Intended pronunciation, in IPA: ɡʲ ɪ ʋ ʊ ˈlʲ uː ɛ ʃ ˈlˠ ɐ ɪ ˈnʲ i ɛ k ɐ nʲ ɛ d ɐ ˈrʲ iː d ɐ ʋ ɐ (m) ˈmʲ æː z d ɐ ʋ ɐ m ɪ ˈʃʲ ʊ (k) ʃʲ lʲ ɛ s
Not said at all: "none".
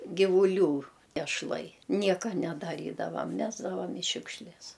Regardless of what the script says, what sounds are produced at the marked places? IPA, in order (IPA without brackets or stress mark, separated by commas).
m, k